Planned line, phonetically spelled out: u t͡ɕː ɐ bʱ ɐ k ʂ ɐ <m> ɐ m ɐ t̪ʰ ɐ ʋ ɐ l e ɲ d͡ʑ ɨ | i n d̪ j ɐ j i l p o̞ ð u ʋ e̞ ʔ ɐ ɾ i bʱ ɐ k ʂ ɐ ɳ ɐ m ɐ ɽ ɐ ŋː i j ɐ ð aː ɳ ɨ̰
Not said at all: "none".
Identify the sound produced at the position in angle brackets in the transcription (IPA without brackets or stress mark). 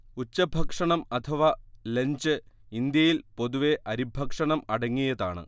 ɳ